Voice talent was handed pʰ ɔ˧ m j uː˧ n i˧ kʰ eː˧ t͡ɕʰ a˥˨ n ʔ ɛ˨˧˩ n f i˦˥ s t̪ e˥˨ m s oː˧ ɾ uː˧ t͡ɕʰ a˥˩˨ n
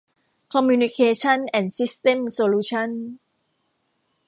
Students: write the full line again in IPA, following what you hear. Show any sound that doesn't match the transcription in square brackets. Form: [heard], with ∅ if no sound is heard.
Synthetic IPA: [kʰ] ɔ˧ m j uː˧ n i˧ kʰ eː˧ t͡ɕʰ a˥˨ n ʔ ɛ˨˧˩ n [s] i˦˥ s t̪ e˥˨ m s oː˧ [l] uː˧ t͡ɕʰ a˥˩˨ n